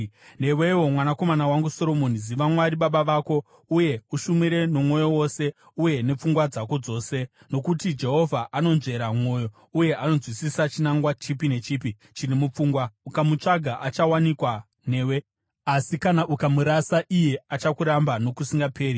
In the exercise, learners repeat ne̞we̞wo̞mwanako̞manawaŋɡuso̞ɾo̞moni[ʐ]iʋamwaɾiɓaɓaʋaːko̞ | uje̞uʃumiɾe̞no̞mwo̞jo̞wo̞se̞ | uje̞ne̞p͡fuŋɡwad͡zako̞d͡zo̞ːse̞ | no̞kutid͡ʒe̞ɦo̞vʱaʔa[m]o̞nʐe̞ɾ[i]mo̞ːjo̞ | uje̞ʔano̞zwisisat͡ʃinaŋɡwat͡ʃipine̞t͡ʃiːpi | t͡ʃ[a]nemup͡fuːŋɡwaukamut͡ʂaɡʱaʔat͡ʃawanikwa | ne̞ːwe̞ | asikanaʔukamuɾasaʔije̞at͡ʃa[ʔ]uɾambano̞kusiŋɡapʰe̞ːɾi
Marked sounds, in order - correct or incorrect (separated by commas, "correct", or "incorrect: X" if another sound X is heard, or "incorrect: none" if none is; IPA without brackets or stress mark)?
incorrect: z, incorrect: n, incorrect: a, incorrect: i, incorrect: k